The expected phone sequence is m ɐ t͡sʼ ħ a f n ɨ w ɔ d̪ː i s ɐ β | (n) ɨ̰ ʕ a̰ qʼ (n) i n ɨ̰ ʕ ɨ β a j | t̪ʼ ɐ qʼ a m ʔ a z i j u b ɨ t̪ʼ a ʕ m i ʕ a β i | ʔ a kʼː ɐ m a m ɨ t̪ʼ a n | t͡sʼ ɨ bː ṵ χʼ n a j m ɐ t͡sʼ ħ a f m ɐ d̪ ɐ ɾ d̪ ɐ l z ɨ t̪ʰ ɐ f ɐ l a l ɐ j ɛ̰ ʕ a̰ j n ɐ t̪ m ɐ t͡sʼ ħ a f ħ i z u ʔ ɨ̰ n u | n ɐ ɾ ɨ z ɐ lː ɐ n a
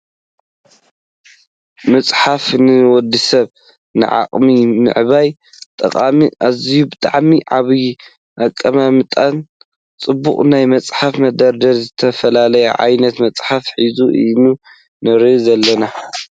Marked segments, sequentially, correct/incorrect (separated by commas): correct, incorrect